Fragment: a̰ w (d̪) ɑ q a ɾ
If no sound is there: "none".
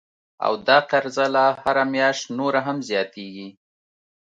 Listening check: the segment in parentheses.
d̪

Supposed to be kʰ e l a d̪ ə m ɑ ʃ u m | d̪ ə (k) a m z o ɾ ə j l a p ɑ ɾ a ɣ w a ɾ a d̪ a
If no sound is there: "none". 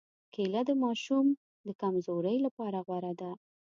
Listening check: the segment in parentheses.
k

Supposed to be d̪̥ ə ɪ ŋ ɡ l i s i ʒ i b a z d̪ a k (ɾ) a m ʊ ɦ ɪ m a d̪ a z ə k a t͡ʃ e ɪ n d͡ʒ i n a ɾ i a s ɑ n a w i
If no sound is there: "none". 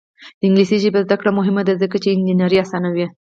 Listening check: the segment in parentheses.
ɽ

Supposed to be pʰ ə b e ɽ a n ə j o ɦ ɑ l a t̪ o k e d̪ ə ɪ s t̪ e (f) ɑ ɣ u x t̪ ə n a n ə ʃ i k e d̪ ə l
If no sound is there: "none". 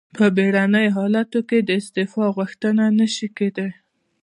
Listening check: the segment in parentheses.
f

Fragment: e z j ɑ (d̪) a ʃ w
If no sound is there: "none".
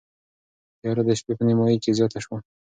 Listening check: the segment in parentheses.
t̪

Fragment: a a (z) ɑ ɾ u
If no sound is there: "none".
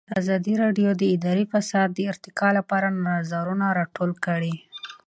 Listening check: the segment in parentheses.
z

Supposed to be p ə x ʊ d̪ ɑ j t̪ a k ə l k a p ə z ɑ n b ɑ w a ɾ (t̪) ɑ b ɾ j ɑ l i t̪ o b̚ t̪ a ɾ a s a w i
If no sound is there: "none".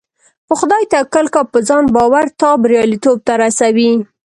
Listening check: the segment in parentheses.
t̪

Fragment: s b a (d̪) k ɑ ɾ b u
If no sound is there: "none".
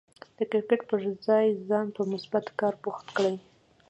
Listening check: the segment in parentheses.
t̪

